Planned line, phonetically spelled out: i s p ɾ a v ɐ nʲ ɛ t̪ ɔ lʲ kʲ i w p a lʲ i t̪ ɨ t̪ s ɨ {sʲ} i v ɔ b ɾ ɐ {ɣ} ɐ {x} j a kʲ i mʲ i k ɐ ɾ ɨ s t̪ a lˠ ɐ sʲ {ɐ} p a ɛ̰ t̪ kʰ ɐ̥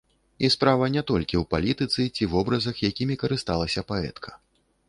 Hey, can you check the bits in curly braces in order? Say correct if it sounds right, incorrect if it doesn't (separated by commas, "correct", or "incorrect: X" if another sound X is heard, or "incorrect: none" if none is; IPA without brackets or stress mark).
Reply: incorrect: t͡sʲ, incorrect: z, correct, correct